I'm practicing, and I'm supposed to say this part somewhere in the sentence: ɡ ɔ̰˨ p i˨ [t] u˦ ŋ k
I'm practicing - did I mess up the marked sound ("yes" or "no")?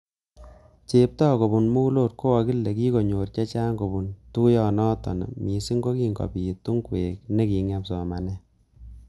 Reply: no